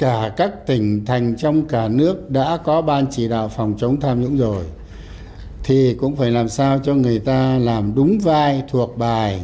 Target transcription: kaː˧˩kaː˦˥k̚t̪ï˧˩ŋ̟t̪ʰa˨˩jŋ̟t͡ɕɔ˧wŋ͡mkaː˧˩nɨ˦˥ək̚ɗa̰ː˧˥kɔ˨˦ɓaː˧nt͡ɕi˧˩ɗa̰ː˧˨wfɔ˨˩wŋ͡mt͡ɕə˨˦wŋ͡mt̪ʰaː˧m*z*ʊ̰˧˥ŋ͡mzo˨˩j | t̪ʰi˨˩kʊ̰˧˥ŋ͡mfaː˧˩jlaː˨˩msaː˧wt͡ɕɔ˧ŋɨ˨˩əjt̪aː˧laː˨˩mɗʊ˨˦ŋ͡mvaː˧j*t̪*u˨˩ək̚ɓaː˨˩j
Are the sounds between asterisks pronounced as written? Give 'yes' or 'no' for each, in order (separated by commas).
yes, no